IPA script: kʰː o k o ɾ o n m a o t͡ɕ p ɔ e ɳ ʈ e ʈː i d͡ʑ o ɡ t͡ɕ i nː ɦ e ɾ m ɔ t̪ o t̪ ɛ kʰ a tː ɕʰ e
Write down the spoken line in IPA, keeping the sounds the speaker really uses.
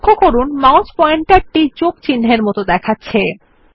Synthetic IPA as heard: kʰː o k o ɾ u n m a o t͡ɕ p ɔ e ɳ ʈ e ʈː i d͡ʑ o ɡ t͡ɕ i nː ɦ e ɾ m ɔ t̪ o d̪ ɛ kʰ a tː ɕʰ e